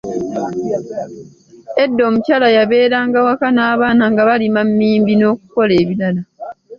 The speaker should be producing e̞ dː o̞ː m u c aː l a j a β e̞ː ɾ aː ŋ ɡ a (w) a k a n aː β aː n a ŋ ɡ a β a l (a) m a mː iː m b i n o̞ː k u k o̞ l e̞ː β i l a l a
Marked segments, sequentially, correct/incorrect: correct, incorrect

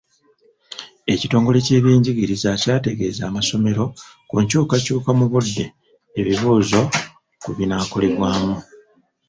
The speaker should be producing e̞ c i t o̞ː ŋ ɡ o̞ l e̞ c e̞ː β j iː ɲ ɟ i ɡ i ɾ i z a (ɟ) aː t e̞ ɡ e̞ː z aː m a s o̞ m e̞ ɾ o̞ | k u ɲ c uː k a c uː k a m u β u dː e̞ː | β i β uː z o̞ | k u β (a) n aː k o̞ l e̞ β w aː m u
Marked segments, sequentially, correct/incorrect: incorrect, incorrect

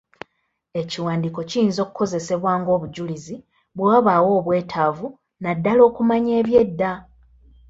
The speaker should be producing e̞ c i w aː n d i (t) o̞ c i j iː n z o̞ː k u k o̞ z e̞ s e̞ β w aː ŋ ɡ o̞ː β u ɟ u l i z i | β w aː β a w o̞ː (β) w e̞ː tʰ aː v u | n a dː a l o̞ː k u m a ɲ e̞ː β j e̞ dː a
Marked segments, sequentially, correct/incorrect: incorrect, correct

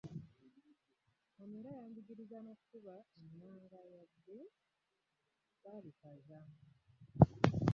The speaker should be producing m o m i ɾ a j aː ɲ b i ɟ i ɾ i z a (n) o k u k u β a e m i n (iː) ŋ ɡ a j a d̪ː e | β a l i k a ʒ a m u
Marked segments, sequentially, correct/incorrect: correct, incorrect

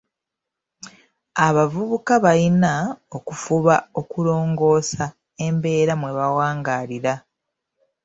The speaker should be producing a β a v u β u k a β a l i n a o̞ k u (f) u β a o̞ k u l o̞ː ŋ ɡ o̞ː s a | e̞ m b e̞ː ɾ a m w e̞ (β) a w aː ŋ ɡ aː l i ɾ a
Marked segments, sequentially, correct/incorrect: correct, correct

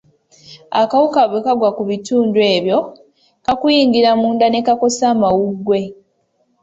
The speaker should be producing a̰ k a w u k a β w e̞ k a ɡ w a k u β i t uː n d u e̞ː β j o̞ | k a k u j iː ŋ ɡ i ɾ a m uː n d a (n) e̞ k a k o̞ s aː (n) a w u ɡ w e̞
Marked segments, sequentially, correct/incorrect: correct, incorrect

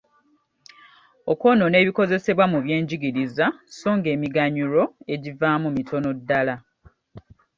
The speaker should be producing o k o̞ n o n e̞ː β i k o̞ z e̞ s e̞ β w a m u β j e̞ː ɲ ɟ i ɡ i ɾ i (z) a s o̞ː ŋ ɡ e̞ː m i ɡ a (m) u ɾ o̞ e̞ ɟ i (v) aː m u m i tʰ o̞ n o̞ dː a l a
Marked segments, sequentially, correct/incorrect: correct, incorrect, correct

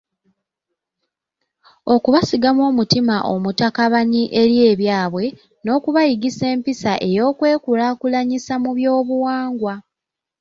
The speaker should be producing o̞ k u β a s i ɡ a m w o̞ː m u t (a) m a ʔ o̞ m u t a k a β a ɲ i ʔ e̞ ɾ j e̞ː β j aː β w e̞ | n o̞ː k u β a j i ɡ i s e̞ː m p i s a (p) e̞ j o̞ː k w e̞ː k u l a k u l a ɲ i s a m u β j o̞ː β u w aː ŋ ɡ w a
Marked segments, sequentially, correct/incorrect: incorrect, incorrect

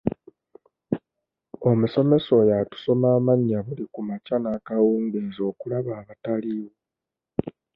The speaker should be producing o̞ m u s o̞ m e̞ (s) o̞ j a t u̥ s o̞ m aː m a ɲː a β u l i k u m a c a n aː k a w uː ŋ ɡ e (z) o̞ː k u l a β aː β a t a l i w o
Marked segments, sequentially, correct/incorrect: correct, correct

